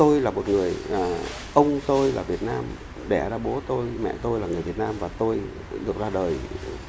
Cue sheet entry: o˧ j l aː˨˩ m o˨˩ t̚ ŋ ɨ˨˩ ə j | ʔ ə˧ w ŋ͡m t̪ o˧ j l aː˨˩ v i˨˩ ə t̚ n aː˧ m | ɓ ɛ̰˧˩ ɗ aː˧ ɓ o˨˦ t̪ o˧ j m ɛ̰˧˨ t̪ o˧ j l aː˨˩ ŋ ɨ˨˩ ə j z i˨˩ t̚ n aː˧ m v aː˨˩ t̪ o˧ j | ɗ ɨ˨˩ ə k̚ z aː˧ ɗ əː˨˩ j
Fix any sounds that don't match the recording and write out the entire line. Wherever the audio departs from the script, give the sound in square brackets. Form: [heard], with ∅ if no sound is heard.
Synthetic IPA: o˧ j l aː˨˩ m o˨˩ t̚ ŋ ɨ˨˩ ə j | ʔ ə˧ w ŋ͡m t̪ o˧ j l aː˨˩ v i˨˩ ə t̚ n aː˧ m | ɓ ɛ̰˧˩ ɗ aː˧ ɓ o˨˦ t̪ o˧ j m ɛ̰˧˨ t̪ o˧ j l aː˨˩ ŋ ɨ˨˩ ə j [v] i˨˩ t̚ n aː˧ m v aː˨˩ t̪ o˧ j | ɗ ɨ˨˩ ə k̚ z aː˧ ɗ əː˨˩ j